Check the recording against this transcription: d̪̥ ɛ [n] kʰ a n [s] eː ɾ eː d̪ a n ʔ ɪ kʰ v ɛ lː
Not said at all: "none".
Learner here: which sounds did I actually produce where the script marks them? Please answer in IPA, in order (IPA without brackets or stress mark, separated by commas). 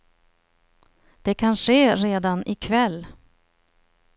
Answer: none, ʂ